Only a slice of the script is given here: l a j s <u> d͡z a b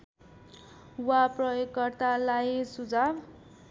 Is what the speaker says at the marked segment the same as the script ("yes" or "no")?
yes